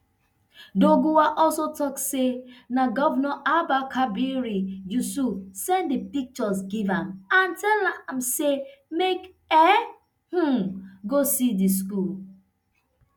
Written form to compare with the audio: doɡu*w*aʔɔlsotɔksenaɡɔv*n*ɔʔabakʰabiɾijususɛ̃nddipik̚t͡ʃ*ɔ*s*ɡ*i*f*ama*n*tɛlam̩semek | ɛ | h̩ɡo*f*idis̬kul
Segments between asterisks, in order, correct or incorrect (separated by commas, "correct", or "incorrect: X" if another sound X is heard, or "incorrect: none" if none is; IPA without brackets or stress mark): correct, correct, correct, correct, incorrect: v, correct, incorrect: s